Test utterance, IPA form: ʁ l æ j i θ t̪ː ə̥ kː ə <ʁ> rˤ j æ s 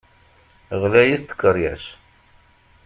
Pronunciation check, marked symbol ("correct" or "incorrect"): incorrect